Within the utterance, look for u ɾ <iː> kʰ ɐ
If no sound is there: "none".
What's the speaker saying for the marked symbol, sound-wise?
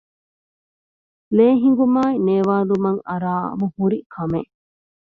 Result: i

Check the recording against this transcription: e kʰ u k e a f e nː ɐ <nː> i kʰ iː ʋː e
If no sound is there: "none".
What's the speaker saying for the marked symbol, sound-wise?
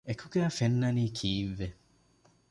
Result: n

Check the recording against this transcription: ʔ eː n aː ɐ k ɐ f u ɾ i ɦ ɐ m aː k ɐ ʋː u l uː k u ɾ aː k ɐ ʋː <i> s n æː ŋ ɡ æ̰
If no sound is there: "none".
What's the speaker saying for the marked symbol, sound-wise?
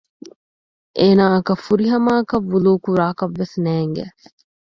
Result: e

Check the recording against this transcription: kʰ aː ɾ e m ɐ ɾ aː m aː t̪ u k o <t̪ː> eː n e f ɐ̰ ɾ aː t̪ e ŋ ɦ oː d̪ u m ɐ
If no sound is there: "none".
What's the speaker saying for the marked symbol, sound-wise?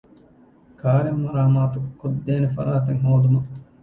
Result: d̪ː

